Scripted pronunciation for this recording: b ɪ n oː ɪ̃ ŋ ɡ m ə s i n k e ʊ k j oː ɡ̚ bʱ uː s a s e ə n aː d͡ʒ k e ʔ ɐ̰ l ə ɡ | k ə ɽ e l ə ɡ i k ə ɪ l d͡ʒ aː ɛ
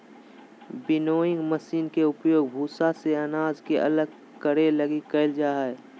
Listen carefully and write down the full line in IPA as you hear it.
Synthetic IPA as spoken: b ɪ n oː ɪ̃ ŋ ɡ m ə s iː n k e ʊ p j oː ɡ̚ bʱ uː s a s e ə n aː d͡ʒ k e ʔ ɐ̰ l ə ɡ | k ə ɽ e l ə ɡ i k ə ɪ l d͡ʒ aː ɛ